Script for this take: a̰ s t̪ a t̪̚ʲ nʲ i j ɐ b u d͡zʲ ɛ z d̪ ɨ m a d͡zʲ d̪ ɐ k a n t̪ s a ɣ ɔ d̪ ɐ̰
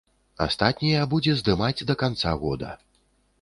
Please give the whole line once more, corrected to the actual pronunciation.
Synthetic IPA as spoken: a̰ s t̪ a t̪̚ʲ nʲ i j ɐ b u d͡zʲ ɛ z d̪ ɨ m a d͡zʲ d̪ ɐ k a n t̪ s a ɣ ɔ d̪ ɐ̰